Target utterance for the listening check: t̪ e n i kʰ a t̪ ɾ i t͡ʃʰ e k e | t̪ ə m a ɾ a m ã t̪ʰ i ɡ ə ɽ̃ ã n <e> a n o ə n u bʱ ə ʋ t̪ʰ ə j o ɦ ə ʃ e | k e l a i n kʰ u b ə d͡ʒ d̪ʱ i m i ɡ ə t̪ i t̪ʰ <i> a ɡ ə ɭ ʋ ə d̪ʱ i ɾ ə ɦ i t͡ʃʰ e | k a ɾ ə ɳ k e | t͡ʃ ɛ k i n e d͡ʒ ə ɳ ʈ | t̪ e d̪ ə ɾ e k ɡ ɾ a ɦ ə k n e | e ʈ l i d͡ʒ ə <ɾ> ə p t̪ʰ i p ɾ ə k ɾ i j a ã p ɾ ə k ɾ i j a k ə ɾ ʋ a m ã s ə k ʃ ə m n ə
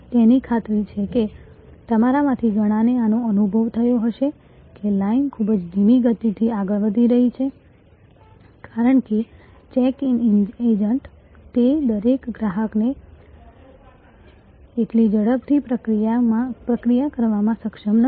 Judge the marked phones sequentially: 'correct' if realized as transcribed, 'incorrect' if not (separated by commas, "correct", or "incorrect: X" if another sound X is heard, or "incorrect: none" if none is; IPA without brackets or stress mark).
correct, correct, incorrect: ɽ